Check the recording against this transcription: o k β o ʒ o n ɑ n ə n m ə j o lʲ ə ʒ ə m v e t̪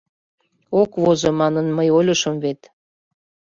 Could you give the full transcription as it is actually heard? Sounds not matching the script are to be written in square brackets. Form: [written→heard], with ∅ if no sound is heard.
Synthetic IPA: o k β o [ʒ→z] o [n→m] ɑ n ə n m ə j o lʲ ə [ʒ→ʃ] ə m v e t̪